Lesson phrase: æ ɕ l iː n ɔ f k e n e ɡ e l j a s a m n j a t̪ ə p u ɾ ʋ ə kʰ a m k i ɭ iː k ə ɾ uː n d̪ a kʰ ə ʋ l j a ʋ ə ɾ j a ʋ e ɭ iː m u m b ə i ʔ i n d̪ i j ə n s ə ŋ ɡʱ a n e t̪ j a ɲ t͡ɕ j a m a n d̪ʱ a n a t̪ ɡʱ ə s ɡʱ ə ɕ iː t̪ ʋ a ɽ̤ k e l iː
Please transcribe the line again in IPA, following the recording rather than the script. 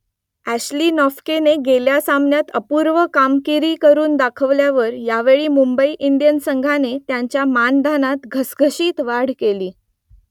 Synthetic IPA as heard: æ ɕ l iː n ɔ f k e n e ɡ e l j a s a m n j a t̪ ə p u ɾ ʋ ə k a m k i ɾ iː k ə ɾ uː n d̪ a kʰ ə ʋ l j a ʋ ə ɾ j a ʋ e ɭ iː m u m b ə i ʔ i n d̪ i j ə n s ə ŋ ɡʱ a n e t̪ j a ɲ t͡ɕ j a m a n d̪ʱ a n a t̪ ɡʱ ə s ɡʱ ə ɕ iː t̪ ʋ a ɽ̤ k e l iː